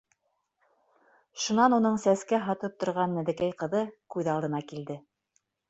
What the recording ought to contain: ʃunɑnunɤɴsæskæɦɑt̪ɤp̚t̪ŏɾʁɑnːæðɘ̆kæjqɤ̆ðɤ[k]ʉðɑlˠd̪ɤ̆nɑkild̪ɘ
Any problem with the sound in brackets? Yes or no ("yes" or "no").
no